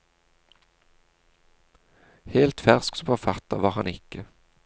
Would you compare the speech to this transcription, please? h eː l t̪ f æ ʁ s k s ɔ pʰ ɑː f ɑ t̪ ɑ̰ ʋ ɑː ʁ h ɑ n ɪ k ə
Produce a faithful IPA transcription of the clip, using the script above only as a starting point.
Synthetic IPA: h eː l t̪ f æ ʁ s k s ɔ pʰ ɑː f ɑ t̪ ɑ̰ ʋ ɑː ʁ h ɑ n ɪ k ə